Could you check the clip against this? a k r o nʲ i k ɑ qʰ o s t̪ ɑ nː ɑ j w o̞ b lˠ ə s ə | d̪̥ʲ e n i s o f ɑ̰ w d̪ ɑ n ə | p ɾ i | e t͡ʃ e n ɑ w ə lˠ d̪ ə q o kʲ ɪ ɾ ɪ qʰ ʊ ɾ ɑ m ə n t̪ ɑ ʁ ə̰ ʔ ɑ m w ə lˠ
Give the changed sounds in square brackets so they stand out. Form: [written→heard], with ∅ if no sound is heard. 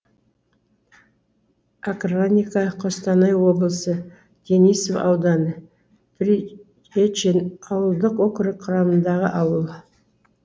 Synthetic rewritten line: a k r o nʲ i k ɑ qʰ o s t̪ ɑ [nː→n] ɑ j w o̞ b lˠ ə s ə | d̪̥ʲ e n i s o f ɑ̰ w d̪ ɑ n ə | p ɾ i | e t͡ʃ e n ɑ w ə lˠ d̪ ə q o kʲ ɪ ɾ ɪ qʰ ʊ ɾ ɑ m ə n [t̪→d̪] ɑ ʁ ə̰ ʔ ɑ [m→∅] w ə lˠ